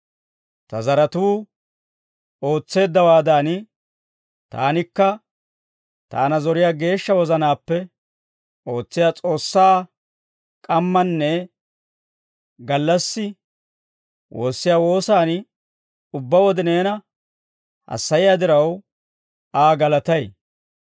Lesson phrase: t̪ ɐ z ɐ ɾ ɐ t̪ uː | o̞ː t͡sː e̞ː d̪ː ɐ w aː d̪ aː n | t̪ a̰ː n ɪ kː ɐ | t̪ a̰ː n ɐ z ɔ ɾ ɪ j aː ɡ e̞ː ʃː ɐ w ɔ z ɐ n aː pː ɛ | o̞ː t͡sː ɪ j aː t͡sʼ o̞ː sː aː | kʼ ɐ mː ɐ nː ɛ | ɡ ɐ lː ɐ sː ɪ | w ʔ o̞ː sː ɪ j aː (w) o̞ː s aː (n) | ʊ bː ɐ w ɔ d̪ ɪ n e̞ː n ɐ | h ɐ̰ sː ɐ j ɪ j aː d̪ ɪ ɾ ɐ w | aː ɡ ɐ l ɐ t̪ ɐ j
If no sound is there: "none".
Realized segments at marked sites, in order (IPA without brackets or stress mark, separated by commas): w, n